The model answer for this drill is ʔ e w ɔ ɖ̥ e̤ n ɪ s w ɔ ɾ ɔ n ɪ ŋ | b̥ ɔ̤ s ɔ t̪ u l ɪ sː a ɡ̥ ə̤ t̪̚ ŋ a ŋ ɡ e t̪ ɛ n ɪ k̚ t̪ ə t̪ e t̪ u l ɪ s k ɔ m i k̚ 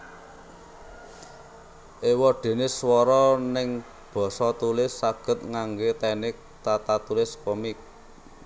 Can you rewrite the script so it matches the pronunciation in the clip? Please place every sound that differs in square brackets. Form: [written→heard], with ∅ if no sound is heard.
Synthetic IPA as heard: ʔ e w ɔ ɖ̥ e̤ n ɪ s w ɔ ɾ ɔ n ɪ ŋ | b̥ ɔ̤ s ɔ t̪ u l ɪ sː a ɡ̥ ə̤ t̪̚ ŋ a ŋ ɡ e t̪ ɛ n ɪ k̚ t̪ [ə→a] t̪ [e→a] t̪ u l ɪ s k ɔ m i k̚